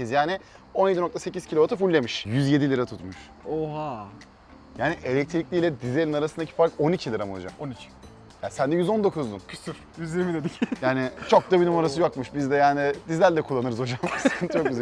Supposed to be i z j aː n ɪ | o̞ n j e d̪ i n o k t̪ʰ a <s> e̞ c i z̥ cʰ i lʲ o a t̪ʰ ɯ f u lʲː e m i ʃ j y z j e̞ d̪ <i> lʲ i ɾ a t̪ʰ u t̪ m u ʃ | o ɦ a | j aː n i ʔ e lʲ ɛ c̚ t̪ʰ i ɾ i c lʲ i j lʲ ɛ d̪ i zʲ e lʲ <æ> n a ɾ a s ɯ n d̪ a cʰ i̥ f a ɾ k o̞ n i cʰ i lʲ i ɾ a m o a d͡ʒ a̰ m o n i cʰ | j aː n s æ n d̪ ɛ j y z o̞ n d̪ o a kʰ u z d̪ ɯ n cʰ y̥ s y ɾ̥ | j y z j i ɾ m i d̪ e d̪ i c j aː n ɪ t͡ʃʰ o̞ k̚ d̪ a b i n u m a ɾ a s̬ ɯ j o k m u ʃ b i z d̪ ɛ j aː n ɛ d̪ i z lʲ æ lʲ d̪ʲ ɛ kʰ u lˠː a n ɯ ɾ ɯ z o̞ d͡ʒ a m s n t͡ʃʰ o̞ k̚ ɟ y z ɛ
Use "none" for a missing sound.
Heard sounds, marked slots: s, i, i

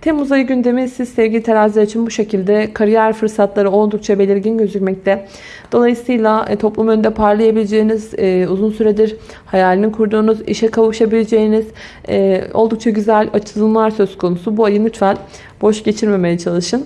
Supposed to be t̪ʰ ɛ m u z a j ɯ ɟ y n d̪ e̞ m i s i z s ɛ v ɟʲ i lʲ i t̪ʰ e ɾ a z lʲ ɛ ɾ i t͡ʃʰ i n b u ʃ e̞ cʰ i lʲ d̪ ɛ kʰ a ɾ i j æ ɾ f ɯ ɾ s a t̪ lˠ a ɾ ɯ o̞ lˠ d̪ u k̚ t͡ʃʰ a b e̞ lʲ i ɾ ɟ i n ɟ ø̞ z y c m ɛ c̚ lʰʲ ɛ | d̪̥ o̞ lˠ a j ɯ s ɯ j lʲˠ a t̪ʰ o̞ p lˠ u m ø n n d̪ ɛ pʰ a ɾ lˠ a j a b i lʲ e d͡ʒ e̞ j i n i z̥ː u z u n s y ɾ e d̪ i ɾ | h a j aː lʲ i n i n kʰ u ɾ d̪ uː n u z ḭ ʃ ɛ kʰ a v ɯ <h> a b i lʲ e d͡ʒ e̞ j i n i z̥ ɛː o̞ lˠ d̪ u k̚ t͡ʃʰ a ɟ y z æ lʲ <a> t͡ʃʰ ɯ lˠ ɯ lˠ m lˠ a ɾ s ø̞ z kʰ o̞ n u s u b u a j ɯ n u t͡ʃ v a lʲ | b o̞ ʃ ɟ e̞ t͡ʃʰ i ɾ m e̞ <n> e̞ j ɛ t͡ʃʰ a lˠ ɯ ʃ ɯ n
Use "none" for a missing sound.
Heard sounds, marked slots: ʃ, a, m

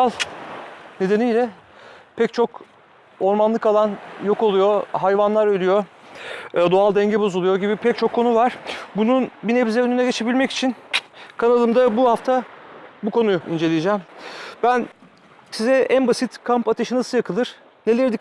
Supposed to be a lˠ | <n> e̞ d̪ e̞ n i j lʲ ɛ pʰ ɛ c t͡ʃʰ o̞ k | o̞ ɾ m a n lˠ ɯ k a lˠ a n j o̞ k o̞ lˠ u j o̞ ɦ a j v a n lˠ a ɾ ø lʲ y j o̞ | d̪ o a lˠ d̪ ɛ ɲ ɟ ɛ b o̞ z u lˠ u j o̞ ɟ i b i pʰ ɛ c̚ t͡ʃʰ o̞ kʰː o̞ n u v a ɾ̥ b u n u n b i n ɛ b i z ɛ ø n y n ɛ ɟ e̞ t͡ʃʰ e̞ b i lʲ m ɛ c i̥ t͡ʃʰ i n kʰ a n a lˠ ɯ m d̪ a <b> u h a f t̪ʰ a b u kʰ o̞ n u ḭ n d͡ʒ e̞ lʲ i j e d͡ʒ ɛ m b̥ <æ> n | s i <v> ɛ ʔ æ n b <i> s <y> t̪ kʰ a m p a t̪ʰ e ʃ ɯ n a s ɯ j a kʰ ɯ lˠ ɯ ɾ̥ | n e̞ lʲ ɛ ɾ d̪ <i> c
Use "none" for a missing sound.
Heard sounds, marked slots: n, b, æ, z, a, i, i

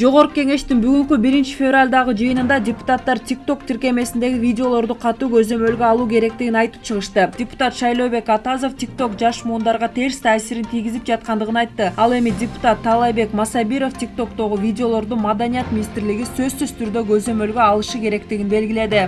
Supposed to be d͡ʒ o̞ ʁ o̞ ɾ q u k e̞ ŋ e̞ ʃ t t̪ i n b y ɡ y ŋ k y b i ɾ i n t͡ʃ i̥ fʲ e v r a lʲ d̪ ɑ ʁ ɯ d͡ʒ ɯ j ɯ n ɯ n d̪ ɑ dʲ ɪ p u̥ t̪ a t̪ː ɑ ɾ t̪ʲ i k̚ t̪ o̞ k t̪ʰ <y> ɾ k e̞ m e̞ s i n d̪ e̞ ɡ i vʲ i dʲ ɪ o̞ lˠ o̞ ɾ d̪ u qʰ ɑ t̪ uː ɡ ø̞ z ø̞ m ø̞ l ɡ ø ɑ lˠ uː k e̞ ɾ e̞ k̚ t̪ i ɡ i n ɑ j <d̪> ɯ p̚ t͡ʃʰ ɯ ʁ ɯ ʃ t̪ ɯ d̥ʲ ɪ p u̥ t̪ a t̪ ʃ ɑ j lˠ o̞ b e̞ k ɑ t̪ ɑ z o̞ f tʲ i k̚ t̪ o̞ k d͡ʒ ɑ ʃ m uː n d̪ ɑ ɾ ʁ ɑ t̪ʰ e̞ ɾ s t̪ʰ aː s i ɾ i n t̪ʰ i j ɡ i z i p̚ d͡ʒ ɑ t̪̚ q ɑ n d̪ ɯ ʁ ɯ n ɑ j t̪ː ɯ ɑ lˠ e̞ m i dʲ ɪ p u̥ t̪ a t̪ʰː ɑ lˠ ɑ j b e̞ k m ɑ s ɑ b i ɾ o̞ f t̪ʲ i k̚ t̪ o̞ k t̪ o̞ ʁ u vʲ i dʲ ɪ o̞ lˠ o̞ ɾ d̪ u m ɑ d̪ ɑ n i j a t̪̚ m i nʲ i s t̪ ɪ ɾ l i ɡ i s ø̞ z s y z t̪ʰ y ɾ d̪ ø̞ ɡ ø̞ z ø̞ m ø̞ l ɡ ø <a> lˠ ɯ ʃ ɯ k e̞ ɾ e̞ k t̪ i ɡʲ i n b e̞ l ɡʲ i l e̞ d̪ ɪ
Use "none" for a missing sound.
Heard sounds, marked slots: i, t̪, ɑ

